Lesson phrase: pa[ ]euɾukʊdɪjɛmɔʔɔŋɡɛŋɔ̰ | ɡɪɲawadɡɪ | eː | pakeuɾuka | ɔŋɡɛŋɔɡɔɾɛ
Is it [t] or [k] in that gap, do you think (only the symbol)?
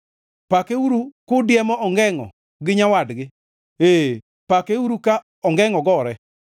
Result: k